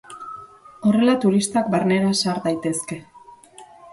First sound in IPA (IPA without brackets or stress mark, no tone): o̞